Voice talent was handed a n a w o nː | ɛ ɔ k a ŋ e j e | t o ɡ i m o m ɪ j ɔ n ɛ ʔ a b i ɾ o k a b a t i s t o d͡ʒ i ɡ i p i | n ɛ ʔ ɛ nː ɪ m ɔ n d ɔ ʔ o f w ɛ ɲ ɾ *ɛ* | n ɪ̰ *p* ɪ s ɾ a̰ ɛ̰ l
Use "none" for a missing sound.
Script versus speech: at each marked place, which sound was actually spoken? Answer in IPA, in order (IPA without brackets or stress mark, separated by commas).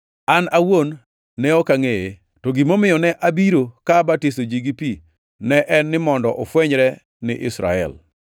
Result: ɛ, ʔ